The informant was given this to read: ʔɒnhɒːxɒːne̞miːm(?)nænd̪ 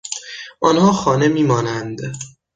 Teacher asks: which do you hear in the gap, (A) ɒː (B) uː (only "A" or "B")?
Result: A